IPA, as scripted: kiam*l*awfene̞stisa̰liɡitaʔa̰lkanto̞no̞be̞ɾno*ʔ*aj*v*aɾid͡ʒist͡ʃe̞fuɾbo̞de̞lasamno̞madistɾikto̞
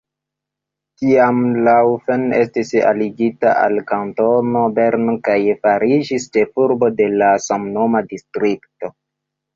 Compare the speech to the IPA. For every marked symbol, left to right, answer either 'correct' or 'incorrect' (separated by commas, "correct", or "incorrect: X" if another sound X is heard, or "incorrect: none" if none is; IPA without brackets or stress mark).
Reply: correct, incorrect: k, incorrect: f